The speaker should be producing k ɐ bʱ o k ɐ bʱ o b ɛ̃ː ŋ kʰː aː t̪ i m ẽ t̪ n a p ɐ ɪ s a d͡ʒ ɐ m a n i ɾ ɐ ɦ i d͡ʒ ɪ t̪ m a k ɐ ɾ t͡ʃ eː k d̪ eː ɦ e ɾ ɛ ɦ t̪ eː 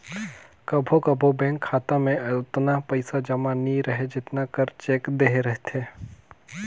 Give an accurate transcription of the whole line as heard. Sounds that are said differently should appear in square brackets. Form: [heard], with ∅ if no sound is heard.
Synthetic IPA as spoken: k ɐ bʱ o k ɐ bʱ o b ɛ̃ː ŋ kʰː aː t̪ [a] m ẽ t̪ n a p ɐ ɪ s a d͡ʒ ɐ m a n i ɾ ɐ ɦ [e] d͡ʒ ɪ t̪ [n] a k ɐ ɾ t͡ʃ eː k d̪ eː ɦ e ɾ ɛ ɦ t̪ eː